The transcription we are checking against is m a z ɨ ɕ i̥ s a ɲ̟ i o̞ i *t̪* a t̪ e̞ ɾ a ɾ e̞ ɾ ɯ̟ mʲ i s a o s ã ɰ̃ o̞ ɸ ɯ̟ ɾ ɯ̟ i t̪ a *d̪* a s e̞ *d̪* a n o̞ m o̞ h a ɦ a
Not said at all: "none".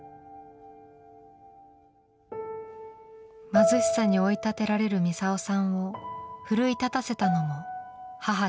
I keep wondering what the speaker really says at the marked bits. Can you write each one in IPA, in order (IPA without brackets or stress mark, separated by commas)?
t̪, t̪, t̪